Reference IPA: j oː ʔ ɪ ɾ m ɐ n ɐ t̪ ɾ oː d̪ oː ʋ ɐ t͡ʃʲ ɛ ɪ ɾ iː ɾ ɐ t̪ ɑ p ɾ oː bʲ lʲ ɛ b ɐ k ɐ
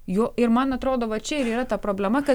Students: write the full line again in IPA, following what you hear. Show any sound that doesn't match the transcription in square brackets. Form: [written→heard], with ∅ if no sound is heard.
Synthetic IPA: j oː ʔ ɪ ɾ m ɐ n ɐ t̪ ɾ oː d̪ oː ʋ ɐ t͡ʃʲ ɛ ɪ ɾ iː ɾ ɐ t̪ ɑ p ɾ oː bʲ lʲ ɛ [b→m] ɐ k ɐ